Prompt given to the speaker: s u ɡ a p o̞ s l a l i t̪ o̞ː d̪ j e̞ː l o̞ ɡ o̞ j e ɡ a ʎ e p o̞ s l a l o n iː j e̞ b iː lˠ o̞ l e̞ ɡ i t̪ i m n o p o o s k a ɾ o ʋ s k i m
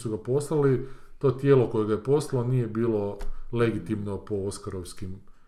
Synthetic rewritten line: s u ɡ a p o̞ s l a l i t̪ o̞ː t̪ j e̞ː l o̞ k o̞ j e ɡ a j e p o̞ s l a l o n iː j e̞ b iː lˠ o̞ l e̞ ɡ i t̪ i m n o p o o s k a ɾ o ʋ s k i m